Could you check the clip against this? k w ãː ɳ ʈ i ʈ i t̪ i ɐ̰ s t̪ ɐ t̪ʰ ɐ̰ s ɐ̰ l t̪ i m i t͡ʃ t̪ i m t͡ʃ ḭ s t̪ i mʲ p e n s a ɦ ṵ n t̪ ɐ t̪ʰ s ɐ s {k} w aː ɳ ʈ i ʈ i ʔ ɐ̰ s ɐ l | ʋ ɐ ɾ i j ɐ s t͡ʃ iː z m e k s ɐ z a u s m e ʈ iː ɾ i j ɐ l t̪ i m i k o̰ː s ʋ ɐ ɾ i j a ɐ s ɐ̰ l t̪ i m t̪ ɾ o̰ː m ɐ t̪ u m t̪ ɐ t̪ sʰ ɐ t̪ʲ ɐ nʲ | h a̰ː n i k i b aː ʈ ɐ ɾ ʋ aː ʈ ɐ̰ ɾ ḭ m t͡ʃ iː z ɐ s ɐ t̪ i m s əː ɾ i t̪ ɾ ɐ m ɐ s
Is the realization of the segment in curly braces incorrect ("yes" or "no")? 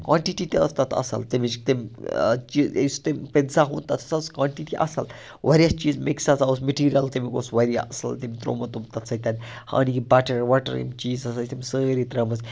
no